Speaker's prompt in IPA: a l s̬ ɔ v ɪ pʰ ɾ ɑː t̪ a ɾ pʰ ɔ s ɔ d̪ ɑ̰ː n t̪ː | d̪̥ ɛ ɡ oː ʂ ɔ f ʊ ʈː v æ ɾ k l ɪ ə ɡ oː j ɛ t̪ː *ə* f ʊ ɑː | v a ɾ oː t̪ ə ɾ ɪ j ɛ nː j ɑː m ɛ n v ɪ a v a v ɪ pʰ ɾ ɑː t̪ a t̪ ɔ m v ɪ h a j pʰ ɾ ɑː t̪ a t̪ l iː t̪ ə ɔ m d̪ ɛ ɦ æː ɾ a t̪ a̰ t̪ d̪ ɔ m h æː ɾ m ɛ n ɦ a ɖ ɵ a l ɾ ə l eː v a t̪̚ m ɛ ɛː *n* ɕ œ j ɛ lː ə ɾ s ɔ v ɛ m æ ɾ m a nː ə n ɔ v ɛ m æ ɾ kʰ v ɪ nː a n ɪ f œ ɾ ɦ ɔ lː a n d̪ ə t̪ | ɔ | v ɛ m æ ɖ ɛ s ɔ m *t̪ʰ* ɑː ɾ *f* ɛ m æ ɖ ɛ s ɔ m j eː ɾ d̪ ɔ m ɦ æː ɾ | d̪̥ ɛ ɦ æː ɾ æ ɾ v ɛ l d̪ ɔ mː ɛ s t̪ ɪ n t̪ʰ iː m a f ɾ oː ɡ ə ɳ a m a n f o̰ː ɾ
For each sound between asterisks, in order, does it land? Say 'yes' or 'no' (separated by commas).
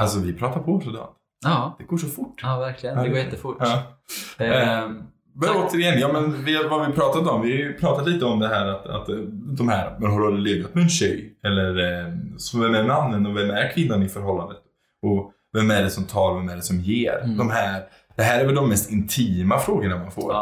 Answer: yes, yes, yes, no